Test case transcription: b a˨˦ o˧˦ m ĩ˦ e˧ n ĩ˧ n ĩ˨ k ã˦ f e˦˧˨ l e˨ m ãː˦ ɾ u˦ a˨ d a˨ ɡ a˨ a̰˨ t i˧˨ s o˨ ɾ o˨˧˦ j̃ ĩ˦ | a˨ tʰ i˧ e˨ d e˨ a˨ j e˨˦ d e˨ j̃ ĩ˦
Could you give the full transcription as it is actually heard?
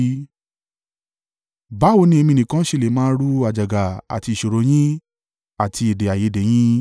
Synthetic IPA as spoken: b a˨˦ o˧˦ n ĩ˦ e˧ m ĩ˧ n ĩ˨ k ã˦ ʃ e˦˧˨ l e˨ m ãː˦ ɾ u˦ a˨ d͡ʒ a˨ ɡ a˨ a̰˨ t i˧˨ ʃ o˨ ɾ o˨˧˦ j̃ ĩ˦ | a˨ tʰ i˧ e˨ d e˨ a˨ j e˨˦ d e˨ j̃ ĩ˦